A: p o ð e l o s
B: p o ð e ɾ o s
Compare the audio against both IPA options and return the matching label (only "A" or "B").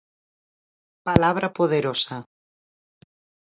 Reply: B